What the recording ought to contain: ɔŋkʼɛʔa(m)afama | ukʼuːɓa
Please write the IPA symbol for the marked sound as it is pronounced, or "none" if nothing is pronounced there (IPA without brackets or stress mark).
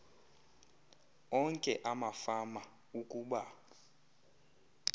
m